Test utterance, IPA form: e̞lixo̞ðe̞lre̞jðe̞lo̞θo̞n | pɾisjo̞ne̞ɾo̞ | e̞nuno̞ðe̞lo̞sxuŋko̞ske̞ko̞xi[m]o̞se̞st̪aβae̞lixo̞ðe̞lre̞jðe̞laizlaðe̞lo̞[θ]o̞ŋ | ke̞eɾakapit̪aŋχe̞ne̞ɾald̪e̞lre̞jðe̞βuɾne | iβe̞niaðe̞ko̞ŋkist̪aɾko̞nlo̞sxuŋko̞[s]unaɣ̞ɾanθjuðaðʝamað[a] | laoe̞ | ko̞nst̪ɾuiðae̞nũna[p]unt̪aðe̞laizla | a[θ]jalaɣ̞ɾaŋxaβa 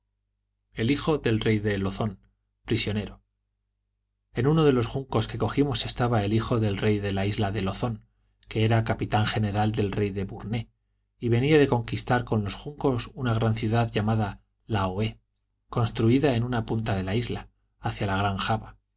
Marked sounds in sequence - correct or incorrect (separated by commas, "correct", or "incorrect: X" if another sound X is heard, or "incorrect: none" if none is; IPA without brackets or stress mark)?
correct, correct, correct, correct, correct, correct